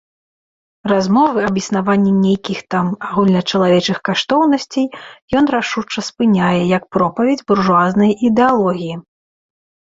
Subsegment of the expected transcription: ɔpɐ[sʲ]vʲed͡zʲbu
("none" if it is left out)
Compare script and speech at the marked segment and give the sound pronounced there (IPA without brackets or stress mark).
none